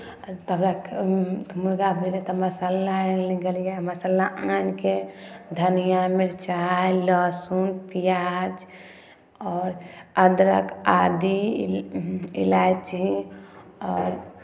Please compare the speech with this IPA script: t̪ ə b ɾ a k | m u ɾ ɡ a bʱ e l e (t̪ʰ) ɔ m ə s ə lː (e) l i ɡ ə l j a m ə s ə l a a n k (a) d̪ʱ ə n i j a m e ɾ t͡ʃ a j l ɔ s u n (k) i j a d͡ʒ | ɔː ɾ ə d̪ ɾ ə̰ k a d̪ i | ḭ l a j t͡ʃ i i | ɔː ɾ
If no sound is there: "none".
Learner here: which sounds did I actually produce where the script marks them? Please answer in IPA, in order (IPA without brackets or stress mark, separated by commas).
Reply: t̪, a, e, p